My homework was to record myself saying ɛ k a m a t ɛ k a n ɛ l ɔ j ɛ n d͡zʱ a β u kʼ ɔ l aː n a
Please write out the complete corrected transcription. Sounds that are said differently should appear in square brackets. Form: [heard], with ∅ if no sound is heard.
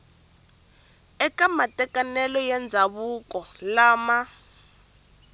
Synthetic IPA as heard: ɛ k a m a t ɛ k a n ɛ l ɔ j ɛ n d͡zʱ a β u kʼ ɔ l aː [m] a